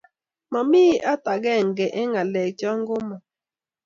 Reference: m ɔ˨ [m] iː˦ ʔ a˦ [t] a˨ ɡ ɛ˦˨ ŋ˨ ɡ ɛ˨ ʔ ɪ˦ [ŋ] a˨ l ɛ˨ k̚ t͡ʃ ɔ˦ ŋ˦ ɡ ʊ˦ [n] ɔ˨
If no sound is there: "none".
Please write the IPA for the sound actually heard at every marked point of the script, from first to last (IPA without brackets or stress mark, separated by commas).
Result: m, t, ŋ, m